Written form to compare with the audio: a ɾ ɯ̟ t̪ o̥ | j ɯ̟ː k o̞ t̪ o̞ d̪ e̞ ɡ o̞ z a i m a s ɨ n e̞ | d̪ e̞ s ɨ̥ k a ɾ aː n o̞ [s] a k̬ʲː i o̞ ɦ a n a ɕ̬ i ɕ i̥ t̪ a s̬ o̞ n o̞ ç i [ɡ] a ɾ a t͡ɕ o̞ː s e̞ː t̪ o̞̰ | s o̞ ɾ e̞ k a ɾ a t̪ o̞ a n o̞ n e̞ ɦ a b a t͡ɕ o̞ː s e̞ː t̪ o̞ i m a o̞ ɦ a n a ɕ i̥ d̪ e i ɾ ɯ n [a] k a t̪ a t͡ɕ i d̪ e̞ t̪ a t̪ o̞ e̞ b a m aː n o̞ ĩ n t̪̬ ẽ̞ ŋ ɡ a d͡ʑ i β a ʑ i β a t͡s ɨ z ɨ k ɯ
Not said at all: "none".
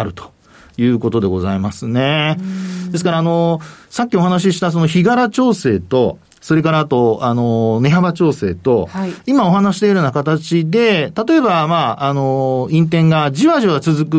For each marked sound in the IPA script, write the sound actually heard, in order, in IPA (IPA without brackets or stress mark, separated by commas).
s, ɡ, a